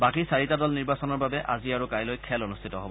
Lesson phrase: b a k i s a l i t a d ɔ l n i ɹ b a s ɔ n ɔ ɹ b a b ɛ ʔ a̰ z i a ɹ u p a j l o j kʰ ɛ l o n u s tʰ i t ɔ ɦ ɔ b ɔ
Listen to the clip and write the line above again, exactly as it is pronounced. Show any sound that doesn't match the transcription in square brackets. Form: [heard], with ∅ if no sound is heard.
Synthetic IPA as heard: b a k i s a [ɹ] i t a d ɔ l n i ɹ b a s ɔ n ɔ ɹ b a b ɛ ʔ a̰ z i a ɹ u [k] a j l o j kʰ ɛ l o n u s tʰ i t ɔ ɦ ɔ b ɔ

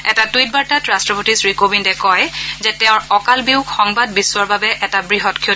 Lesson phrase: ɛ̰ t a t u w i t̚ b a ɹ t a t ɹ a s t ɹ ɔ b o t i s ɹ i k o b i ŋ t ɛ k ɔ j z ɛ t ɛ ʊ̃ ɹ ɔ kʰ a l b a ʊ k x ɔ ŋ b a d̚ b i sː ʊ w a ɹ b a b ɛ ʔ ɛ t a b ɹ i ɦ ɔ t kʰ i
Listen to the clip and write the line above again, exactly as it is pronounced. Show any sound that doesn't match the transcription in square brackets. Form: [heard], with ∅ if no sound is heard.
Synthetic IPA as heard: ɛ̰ t a t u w i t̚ b a ɹ t a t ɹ a s t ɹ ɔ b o t i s ɹ i k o b i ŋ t ɛ k ɔ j z ɛ t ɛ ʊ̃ ɹ ɔ [k] a l b [i] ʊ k x ɔ ŋ b a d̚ b i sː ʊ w a ɹ b a b ɛ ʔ ɛ t a b ɹ i ɦ ɔ t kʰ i

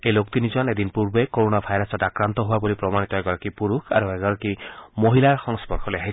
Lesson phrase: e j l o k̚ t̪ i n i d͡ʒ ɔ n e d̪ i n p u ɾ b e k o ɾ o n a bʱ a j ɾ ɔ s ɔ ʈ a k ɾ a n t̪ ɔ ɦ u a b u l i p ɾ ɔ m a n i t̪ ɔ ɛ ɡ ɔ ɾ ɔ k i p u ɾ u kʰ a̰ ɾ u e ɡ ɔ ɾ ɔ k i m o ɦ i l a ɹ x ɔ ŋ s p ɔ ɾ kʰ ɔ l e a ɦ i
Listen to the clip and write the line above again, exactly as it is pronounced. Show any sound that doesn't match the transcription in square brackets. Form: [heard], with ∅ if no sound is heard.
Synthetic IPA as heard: e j l o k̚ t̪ i n i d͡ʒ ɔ n e d̪ i n p u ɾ b e k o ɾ o n a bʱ a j ɾ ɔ s ɔ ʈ a k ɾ a n t̪ ɔ ɦ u a b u l i p ɾ ɔ m a n i t̪ ɔ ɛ ɡ ɔ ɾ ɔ k i p u ɾ u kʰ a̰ ɾ u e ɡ ɔ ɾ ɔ k i m o ɦ i l a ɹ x ɔ ŋ s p ɔ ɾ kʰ ɔ l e a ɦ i

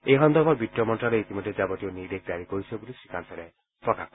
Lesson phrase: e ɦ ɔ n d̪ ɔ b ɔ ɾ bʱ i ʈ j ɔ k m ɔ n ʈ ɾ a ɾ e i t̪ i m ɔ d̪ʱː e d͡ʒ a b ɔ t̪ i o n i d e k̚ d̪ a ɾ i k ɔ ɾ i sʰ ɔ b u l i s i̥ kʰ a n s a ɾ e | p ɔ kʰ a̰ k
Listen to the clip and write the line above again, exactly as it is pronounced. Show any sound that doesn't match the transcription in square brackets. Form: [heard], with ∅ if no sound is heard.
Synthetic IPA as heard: e ɦ ɔ n d̪ ɔ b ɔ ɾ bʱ i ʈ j ɔ [∅] m ɔ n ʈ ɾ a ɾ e i t̪ i m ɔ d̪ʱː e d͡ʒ a b ɔ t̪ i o n i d e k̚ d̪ a ɾ i k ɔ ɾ i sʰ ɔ b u l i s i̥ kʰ a n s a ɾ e | p ɔ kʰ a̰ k

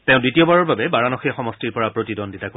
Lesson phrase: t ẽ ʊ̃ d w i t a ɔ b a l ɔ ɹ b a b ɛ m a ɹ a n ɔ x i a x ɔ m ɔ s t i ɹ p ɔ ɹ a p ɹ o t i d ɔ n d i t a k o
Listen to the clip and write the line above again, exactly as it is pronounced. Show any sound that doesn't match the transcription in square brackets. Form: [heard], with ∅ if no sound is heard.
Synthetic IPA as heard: t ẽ ʊ̃ d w i t [i] ɔ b a [ɹ] ɔ ɹ b a b ɛ [b] a ɹ a n ɔ x i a x ɔ m ɔ s t i ɹ p ɔ ɹ a p ɹ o t i d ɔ n d i t a k o

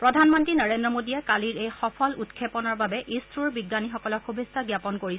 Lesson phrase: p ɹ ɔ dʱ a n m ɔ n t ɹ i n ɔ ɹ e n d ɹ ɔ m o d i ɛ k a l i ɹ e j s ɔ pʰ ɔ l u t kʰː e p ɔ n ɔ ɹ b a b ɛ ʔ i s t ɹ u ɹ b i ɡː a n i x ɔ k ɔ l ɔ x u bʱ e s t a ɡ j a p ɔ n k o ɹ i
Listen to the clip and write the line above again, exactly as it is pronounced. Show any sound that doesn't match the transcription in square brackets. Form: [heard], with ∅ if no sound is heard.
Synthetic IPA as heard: p ɹ ɔ dʱ a n m ɔ n t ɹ i n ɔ ɹ e n d ɹ ɔ m o d i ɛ k a l i ɹ e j [x] ɔ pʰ ɔ l u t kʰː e p ɔ n ɔ ɹ b a b ɛ ʔ i s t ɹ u ɹ b i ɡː a n i x ɔ k ɔ l ɔ x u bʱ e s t a ɡ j a p ɔ n k o ɹ i

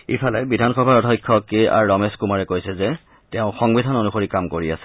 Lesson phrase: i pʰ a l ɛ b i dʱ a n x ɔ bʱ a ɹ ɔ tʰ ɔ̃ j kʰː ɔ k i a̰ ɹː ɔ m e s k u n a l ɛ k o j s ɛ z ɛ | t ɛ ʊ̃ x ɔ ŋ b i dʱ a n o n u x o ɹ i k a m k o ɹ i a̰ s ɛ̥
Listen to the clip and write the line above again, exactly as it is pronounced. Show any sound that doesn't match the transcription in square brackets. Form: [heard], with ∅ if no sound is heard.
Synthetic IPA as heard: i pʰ a l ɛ b i dʱ a n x ɔ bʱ a ɹ ɔ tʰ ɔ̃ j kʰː ɔ k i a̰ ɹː ɔ m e s k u [m] a [ɹ] ɛ k o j s ɛ z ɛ | t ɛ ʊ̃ x ɔ ŋ b i dʱ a n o n u x o ɹ i k a m k o ɹ i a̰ s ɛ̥

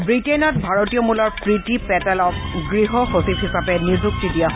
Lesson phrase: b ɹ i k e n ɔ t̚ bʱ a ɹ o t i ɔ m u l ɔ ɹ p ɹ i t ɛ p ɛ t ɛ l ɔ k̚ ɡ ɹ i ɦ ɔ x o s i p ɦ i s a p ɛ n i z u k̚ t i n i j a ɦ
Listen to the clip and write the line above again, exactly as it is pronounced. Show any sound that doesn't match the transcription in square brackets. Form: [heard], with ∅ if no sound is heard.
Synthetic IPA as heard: b ɹ i [t] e n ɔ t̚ bʱ a ɹ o t i ɔ m u l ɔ ɹ p ɹ i t [i] p ɛ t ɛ l ɔ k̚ ɡ ɹ i ɦ ɔ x o s i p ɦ i s a p ɛ n i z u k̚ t i [d] i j a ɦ

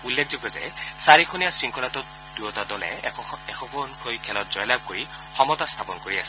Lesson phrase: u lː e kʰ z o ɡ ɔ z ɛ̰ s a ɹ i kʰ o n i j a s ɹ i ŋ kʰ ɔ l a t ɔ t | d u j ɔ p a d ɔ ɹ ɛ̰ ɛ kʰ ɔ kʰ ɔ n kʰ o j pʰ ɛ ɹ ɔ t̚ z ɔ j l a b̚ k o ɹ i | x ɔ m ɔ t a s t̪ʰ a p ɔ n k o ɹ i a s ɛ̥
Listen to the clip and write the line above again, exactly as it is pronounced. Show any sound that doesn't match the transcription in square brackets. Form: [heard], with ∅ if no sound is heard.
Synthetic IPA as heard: u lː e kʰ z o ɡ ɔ z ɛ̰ s a ɹ i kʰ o n i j a s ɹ i ŋ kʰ ɔ l a t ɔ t | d u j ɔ [t] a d ɔ [l] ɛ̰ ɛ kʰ ɔ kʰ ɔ n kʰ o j [kʰ] ɛ [l] ɔ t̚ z ɔ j l a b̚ k o ɹ i | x ɔ m ɔ t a s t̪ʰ a p ɔ n k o ɹ i a s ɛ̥

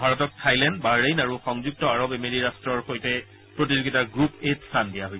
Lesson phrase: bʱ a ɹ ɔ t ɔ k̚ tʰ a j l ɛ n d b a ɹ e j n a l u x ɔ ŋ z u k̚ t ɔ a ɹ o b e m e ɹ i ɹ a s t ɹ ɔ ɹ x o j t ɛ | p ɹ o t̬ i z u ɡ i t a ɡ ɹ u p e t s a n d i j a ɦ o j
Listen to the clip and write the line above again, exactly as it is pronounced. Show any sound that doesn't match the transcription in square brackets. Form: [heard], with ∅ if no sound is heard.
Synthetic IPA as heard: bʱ a ɹ ɔ t ɔ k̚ tʰ a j l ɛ n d b a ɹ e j n a [ɹ] u x ɔ ŋ z u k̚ t ɔ a ɹ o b e m e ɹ i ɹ a s t ɹ ɔ ɹ x o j t ɛ | p ɹ o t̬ i z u ɡ i t a ɡ ɹ u p e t s a n d i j a ɦ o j

